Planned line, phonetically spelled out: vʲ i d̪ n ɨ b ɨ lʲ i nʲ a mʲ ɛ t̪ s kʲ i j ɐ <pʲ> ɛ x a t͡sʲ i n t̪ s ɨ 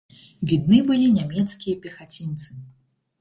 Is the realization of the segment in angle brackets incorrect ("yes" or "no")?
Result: no